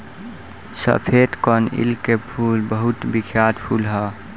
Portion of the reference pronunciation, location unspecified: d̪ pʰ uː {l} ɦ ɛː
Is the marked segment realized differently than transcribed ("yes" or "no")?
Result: no